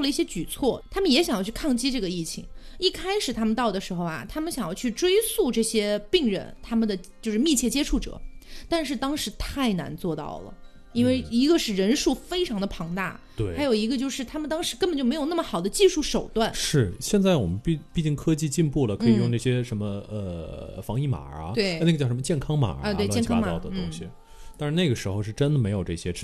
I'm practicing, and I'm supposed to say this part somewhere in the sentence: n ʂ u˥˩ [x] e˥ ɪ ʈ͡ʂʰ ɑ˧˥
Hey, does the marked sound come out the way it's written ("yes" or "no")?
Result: no